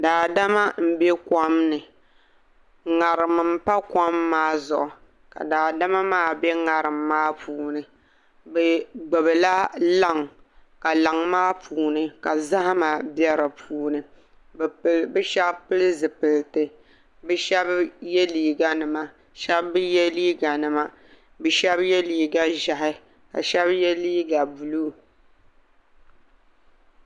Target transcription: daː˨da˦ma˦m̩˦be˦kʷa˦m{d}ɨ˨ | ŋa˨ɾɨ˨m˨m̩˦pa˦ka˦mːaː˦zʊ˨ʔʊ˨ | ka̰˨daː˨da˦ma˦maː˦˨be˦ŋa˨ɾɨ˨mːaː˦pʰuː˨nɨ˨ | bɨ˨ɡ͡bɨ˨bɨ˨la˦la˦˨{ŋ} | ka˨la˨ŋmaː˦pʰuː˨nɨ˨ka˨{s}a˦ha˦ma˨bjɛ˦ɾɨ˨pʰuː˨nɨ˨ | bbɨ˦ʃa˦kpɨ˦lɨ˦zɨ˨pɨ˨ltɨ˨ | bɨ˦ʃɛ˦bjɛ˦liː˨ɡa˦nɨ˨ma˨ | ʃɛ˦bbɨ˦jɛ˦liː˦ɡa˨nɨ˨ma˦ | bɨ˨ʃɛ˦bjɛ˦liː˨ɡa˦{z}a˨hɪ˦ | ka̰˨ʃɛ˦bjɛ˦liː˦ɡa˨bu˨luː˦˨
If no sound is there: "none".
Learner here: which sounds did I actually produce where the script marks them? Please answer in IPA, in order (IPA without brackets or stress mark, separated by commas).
n, ŋ, z, ʒ